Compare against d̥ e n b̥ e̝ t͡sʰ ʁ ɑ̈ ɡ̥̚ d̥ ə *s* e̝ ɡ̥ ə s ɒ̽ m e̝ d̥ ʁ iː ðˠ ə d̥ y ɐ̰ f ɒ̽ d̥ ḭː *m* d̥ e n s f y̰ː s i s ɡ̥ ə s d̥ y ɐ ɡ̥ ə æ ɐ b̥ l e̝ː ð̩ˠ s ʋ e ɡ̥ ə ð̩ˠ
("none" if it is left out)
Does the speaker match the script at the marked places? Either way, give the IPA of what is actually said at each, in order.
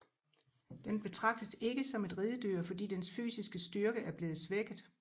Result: s, none

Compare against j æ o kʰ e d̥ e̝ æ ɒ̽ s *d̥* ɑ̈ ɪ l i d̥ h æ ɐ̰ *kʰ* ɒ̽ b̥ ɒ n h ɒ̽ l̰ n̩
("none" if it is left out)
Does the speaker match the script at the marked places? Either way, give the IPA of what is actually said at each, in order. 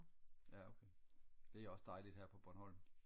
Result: d̥, pʰ

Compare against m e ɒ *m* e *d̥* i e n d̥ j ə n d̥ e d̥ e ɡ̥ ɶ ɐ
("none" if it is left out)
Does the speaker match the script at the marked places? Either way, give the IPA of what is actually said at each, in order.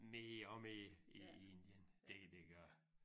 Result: m, none

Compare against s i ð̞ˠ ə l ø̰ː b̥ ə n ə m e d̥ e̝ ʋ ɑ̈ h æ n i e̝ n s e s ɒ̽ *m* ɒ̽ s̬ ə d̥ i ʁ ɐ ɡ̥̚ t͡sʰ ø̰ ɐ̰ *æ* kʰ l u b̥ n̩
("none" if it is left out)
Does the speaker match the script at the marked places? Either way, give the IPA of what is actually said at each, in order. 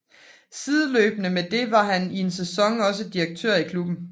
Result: ŋ, i

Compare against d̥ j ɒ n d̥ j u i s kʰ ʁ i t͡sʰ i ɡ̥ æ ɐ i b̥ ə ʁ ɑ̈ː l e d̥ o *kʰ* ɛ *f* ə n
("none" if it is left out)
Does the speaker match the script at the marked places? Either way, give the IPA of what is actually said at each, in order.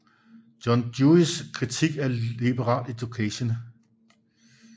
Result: kʰ, ɕ

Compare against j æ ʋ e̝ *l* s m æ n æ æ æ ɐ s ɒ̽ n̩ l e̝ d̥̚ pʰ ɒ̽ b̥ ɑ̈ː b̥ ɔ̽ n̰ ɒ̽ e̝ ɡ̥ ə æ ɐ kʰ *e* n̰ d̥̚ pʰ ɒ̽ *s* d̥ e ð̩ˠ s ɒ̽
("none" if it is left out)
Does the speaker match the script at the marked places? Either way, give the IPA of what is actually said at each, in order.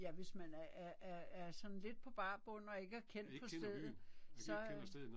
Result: none, e, s

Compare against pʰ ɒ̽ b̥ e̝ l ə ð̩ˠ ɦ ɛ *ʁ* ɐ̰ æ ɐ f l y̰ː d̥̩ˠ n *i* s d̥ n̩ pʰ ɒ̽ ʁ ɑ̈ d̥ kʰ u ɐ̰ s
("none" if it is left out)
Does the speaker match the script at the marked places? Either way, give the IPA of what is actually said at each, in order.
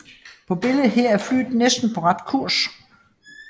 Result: none, e

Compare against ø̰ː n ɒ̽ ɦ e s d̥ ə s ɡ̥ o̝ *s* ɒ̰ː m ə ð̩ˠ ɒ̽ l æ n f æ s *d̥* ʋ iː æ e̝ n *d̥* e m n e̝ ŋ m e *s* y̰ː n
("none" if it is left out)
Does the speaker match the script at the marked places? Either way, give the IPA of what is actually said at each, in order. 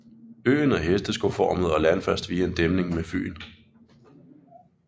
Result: f, d̥, d̥, f

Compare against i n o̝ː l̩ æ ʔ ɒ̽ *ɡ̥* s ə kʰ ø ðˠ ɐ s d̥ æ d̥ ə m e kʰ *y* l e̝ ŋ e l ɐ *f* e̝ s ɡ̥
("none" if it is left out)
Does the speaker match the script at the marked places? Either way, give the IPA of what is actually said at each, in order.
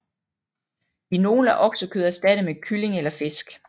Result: ɡ̥, y, f

